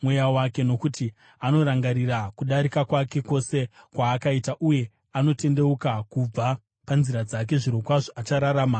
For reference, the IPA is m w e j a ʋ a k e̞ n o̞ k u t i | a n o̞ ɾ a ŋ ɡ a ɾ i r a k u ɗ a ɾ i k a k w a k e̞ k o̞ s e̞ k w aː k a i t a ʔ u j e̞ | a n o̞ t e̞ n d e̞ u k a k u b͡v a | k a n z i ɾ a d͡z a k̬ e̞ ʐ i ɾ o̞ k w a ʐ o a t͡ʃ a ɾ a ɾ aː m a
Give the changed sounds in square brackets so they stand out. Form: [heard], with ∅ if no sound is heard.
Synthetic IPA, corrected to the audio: m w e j a [w] a k e̞ n o̞ k u t i | a n o̞ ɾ a ŋ ɡ a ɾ i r a k u ɗ a ɾ i k a k w a k e̞ k o̞ s e̞ k w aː k a i t a ʔ u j e̞ | a n o̞ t e̞ n d e̞ u k a k u b͡v a | [p] a n z i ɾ a d͡z a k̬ e̞ ʐ i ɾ o̞ k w a ʐ o a t͡ʃ a ɾ a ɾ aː m a